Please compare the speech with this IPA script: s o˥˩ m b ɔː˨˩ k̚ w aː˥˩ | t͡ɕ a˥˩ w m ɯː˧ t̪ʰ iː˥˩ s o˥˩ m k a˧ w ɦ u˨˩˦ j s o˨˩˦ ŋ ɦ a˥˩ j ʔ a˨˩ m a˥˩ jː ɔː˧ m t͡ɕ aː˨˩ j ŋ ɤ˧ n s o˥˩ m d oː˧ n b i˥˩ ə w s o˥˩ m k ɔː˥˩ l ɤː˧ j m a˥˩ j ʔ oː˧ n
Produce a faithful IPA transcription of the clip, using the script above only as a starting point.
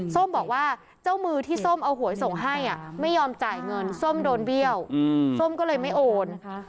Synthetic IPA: s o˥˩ m b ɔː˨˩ k̚ w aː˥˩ | t͡ɕ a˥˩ w m ɯː˧ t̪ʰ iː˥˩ s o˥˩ m ʔ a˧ w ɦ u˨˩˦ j s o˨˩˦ ŋ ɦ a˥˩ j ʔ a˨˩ m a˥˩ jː ɔː˧ m t͡ɕ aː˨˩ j ŋ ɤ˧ n s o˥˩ m d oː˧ n b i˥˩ ə w s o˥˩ m k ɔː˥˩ l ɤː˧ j m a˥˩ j ʔ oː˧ n